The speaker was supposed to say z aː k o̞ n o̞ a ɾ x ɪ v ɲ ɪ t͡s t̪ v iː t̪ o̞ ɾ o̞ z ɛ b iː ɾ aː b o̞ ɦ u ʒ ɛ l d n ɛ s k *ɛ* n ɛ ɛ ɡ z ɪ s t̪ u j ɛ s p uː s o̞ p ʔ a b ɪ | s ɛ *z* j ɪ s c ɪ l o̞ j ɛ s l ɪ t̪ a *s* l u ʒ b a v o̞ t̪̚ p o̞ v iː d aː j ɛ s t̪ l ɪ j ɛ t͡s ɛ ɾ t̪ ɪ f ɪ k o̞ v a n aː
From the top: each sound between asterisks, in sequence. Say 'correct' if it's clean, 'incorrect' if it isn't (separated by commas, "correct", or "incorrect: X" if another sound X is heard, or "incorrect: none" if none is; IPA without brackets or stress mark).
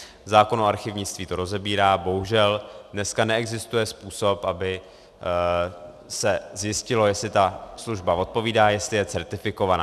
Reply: incorrect: a, correct, correct